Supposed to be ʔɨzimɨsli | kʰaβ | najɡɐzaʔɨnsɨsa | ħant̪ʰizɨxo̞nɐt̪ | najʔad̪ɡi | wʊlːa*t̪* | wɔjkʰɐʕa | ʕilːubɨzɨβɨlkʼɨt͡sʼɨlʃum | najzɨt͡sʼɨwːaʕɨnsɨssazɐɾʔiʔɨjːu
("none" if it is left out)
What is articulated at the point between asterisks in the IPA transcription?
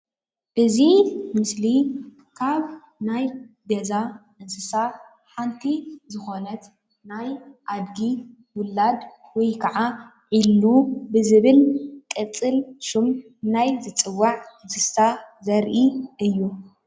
d̪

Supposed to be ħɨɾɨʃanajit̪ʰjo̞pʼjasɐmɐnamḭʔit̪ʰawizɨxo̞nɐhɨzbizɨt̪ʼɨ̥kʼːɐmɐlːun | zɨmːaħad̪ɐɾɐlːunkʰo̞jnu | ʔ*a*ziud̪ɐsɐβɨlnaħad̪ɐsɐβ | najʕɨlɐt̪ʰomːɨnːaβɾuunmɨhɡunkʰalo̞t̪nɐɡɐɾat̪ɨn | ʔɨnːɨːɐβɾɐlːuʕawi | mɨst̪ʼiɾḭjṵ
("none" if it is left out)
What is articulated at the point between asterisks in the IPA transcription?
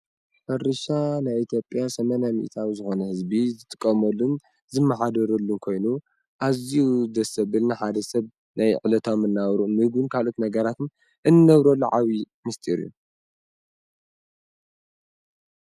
a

